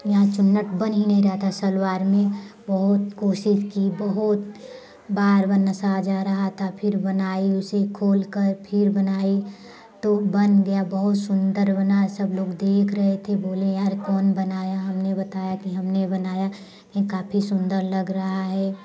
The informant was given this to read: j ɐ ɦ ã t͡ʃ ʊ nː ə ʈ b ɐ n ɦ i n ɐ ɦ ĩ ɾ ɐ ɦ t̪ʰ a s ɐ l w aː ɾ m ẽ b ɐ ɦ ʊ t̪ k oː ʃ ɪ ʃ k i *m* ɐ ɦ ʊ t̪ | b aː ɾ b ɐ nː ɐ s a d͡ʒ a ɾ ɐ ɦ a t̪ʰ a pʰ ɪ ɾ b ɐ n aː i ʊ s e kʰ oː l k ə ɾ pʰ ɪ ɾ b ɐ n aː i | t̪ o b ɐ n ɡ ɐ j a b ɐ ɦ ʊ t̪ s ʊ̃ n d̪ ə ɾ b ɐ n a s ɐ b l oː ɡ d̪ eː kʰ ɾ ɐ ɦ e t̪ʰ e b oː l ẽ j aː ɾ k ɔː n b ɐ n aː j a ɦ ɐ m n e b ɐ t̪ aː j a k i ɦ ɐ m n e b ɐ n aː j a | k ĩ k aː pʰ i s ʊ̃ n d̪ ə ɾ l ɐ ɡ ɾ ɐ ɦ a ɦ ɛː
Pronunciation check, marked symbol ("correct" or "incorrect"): incorrect